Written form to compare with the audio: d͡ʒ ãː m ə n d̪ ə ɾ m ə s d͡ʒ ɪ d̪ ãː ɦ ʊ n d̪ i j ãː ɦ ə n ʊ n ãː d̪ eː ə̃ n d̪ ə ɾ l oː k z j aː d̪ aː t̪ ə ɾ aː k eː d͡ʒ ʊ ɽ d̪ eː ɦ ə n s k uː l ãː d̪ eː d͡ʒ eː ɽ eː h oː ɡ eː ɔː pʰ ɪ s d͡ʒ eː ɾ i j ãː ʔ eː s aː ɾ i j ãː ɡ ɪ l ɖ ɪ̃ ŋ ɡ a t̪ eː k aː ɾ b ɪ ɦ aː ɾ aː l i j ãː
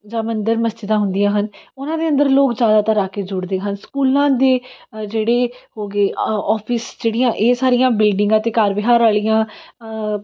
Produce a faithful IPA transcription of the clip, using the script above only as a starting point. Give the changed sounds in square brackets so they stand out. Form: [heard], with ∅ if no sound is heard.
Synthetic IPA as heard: d͡ʒ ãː m ə n d̪ ə ɾ m ə s d͡ʒ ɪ d̪ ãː ɦ ʊ n d̪ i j ãː ɦ ə n ʊ n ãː d̪ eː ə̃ n d̪ ə ɾ l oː k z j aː d̪ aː t̪ ə ɾ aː k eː d͡ʒ ʊ ɽ d̪ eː ɦ ə n s k uː l ãː d̪ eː d͡ʒ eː ɽ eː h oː ɡ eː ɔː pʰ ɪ s d͡ʒ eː [ɽ] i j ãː ʔ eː s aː ɾ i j ãː [b] ɪ l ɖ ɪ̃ ŋ ɡ a t̪ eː k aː ɾ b ɪ ɦ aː ɾ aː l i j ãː